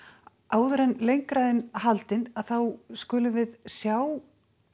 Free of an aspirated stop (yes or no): yes